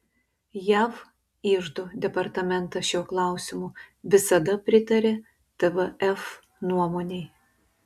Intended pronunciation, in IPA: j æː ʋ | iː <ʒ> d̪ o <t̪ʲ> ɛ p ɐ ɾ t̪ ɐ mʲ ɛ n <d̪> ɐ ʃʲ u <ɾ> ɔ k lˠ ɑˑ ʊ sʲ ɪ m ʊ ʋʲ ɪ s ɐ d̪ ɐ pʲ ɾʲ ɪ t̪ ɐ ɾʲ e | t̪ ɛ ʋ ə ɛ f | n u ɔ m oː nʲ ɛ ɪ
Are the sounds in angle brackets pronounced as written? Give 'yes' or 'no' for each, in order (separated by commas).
yes, no, no, no